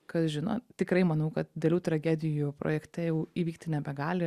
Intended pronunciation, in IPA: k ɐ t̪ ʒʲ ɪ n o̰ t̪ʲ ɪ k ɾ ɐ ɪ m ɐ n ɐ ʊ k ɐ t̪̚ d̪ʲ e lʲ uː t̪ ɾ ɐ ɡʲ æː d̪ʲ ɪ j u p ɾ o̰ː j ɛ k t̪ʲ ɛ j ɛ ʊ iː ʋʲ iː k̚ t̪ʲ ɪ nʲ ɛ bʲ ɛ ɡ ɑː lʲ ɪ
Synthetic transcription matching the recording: k ɐ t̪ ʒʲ ɪ n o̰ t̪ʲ ɪ k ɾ ɐ ɪ m ɐ n ɐ ʊ k ɐ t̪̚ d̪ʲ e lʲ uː t̪ ɾ ɐ ɡʲ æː d̪ʲ ɪ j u p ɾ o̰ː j ɛ k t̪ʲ ɛ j ɛ ʊ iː ʋʲ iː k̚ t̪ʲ ɪ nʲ ɛ bʲ ɛ ɡ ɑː lʲ ɪ